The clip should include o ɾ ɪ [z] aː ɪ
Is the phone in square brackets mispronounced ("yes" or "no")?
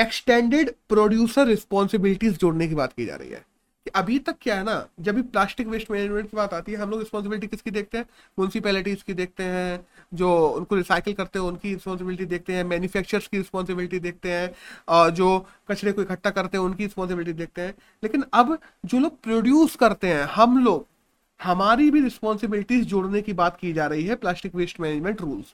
yes